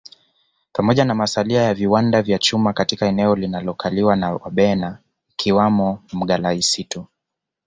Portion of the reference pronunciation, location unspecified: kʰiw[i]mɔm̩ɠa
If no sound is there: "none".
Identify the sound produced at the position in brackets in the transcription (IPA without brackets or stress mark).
a